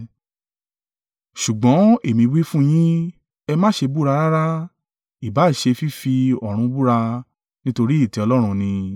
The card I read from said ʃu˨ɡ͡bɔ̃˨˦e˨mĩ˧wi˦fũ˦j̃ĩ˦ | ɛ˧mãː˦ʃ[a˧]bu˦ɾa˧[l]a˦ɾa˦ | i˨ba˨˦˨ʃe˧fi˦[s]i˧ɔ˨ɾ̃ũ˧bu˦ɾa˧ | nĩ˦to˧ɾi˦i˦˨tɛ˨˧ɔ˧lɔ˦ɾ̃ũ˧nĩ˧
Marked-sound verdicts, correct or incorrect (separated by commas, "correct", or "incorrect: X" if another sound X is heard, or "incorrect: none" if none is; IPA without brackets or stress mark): incorrect: e˧, incorrect: ɾ, incorrect: f